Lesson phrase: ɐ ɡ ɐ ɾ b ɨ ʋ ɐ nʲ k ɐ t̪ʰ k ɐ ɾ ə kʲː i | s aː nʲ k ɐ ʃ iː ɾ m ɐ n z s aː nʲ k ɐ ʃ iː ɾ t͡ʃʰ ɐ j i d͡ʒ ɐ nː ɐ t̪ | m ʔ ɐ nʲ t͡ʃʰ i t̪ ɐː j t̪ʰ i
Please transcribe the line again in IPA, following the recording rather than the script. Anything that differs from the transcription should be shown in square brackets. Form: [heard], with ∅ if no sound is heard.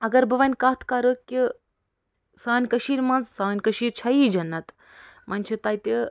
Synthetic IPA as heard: ɐ ɡ ɐ ɾ b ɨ ʋ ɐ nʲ k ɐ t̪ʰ k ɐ ɾ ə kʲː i | s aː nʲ k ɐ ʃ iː ɾ m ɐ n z s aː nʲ k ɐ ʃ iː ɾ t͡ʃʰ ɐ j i d͡ʒ ɐ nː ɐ t̪ | m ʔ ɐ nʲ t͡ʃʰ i t̪ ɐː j [t̪] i